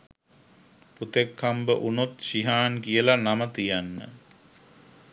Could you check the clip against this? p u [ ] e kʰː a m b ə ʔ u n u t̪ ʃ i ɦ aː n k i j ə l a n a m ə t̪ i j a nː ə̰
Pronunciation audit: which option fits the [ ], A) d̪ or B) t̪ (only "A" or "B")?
B